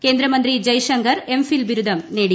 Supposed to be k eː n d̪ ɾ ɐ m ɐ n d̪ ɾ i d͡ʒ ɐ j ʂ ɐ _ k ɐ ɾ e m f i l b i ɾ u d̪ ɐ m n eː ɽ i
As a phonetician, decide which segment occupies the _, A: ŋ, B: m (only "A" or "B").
A